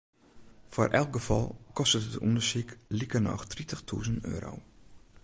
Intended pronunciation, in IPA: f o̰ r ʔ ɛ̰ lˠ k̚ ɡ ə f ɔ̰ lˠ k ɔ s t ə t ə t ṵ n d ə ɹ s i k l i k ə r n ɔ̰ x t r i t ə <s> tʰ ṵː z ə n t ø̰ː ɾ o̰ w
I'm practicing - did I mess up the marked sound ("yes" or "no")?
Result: yes